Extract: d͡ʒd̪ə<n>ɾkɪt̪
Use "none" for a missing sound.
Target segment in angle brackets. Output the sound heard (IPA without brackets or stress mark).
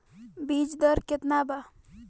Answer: none